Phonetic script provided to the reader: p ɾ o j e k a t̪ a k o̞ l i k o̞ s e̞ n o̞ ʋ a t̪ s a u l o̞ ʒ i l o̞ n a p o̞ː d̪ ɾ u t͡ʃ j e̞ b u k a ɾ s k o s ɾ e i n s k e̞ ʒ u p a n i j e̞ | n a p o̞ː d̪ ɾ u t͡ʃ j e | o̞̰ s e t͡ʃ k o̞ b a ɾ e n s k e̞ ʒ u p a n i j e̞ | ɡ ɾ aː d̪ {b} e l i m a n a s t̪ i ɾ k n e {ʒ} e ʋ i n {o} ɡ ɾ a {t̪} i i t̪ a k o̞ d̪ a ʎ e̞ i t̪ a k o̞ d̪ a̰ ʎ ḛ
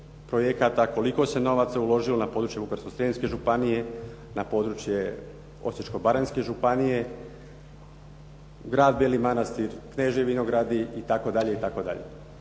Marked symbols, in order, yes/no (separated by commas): yes, yes, yes, no